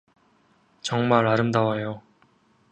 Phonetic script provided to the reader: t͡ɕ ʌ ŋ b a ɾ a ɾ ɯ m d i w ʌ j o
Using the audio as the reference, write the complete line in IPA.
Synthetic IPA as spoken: t͡ɕ ʌ ŋ m a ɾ a ɾ ɯ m d a w a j o

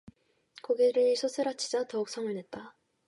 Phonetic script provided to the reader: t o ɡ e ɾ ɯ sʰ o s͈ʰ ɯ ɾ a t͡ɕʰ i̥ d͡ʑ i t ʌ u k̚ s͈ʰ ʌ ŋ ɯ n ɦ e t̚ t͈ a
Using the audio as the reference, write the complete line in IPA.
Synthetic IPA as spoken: k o ɡ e ɾ ɯ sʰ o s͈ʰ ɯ ɾ a t͡ɕʰ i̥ d͡ʑ a t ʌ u k̚ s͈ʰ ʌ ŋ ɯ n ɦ e t̚ t͈ a

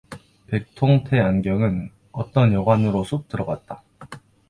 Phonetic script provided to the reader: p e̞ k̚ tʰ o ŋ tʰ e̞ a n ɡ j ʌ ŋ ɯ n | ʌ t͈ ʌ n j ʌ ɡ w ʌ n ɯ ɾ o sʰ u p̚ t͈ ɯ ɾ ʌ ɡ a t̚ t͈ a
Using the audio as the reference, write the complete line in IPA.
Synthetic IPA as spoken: p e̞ k̚ tʰ o ŋ tʰ e̞ a n ɡ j ʌ ŋ ɯ n | ʌ t͈ ʌ n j ʌ ɡ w a n ɯ ɾ o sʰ u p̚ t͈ ɯ ɾ ʌ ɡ a t̚ t͈ a

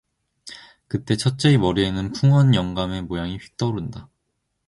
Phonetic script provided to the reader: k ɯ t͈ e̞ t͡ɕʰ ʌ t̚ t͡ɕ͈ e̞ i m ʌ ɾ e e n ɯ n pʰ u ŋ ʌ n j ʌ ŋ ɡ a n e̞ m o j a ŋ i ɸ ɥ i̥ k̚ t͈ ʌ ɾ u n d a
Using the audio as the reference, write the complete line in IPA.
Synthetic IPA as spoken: k ɯ t͈ e̞ t͡ɕʰ ʌ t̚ t͡ɕ͈ e̞ i m ʌ ɾ i e n ɯ n pʰ u ŋ ʌ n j ʌ ŋ ɡ a m e̞ m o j a ŋ i ɸ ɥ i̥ k̚ t͈ ʌ ɾ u n d a

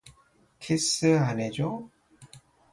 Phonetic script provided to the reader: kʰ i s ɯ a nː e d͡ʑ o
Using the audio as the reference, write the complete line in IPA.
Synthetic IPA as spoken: kʰ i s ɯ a n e d͡ʑ o

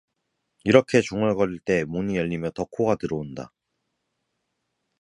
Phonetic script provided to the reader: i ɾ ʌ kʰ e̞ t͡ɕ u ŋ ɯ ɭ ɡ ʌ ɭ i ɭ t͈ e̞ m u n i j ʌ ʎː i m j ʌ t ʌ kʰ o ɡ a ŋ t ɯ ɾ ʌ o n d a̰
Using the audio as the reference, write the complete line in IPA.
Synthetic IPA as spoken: i ɾ ʌ kʰ e̞ t͡ɕ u ŋ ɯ ɭ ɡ ʌ ɾ i ɭ t͈ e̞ m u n i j ʌ ʎː i m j ʌ t ʌ kʰ o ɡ a t ɯ ɾ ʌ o n d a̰

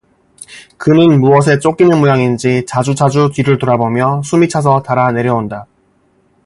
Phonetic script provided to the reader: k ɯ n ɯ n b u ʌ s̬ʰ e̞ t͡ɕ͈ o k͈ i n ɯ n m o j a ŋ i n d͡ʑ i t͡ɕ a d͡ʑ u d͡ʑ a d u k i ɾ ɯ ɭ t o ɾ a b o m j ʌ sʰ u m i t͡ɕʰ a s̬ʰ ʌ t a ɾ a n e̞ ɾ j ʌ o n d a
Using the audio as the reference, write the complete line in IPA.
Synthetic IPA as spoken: k ɯ n ɯ n m u ʌ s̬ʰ e̞ t͡ɕ͈ o k͈ i n ɯ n m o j a ŋ i n d͡ʑ i t͡ɕ a d͡ʑ u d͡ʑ a d͡ʑ u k i ɾ ɯ ɭ t o ɾ a b o m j ʌ sʰ u m i t͡ɕʰ a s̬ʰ ʌ t a ɾ a n e̞ ɾ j ʌ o n d a

